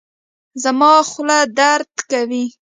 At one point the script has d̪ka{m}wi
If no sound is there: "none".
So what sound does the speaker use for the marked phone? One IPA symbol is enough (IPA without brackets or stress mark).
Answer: none